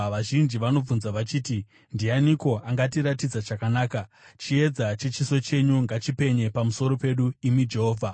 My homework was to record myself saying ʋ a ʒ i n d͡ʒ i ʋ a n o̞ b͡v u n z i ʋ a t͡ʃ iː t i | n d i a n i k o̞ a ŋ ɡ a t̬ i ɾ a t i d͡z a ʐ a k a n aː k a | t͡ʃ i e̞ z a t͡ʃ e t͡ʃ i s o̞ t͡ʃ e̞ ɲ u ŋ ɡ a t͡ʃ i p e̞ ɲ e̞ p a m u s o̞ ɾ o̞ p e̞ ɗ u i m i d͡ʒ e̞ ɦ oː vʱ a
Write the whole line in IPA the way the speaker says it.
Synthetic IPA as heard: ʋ a ʒ i n d͡ʒ i ʋ a n o̞ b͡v u n z a ʋ a t͡ʃ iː t i | n d i a n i k o̞ a ŋ ɡ a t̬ i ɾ a t i d͡z a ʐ a k a n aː k a | t͡ʃ i e̞ d͡z a t͡ʃ e t͡ʃ i s o̞ t͡ʃ e̞ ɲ u ŋ ɡ a t͡ʃ i p e̞ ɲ e̞ p a m u s o̞ ɾ o̞ p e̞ ɗ u i m i d͡ʒ e̞ ɦ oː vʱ a